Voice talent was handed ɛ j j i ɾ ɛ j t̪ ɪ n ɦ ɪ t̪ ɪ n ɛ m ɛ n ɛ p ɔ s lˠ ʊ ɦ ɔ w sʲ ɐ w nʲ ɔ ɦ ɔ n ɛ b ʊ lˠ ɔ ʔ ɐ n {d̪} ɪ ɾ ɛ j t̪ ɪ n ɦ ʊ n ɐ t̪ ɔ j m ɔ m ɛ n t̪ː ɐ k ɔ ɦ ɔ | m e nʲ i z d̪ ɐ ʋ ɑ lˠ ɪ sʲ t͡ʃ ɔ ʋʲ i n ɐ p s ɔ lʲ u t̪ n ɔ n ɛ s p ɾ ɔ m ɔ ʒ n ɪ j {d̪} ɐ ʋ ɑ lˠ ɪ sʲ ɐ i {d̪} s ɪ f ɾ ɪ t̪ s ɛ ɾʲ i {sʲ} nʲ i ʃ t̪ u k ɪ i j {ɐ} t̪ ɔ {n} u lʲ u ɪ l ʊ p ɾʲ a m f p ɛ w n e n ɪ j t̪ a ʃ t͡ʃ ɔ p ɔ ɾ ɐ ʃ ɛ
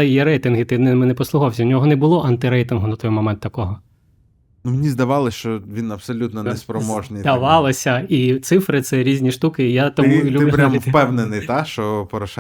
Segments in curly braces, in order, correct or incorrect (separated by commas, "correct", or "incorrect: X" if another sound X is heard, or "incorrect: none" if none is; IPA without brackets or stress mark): incorrect: t̪, correct, incorrect: t̪, incorrect: zʲ, incorrect: a, incorrect: m